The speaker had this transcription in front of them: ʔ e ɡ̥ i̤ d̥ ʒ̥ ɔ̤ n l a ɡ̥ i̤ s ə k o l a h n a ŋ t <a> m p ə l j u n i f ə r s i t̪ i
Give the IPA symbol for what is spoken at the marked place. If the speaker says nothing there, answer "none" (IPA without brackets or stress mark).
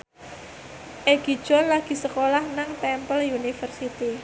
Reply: ɛ